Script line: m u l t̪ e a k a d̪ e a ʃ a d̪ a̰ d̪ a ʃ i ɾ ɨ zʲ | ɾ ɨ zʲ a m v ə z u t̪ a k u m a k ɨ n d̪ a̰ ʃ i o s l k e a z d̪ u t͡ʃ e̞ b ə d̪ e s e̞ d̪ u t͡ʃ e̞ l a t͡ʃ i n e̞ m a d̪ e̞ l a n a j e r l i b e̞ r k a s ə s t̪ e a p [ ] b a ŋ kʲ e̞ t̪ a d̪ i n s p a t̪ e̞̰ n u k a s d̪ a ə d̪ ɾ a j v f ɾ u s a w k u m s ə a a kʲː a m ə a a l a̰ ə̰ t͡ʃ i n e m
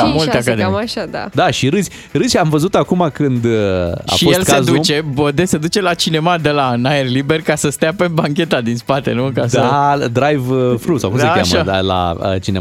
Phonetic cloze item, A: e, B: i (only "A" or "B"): A